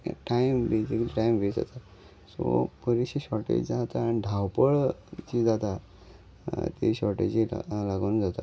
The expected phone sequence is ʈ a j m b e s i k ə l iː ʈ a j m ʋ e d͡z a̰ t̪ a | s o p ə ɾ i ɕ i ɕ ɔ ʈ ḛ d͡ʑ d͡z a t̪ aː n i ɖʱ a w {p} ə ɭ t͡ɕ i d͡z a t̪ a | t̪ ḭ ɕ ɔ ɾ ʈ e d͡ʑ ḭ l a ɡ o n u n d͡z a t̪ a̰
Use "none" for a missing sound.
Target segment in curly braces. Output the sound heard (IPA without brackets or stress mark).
p